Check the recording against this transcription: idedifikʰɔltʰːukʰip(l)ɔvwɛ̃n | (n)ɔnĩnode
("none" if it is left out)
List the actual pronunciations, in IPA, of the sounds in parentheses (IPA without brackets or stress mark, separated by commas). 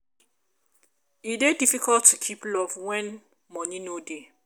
l, m